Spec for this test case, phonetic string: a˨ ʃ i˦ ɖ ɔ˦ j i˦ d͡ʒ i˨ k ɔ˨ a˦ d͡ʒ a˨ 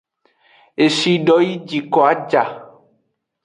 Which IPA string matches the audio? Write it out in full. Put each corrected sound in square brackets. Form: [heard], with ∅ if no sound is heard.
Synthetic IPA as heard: [e˨] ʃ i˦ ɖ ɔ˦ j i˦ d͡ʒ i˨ k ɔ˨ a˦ d͡ʒ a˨